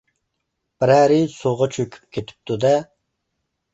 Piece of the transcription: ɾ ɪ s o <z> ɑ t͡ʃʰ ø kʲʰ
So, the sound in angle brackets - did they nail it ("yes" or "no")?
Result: no